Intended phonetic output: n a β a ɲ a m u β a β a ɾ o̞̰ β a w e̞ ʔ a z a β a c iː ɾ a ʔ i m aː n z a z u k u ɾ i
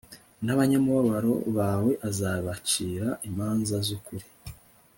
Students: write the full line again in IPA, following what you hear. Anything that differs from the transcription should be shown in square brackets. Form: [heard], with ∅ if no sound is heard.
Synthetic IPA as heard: n a β a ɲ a m u β a β a ɾ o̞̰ β a w e̞ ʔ a z a β a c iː ɾ a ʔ i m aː n z a z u k u ɾ i